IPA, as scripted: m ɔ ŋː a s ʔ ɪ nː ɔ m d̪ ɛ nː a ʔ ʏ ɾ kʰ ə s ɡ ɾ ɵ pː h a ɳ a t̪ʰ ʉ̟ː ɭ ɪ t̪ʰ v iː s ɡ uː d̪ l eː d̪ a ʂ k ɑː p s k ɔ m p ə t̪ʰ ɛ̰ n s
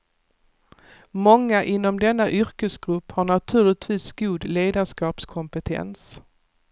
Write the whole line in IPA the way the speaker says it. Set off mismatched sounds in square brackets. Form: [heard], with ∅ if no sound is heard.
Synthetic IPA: m ɔ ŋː a [∅] ʔ ɪ nː ɔ m d̪ ɛ nː a ʔ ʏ ɾ [k] ə s ɡ ɾ ɵ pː h a ɳ a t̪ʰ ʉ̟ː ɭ ɪ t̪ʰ v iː s ɡ uː d̪ l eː d̪ a ʂ k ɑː p s [kʰ] ɔ m p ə t̪ʰ ɛ̰ n s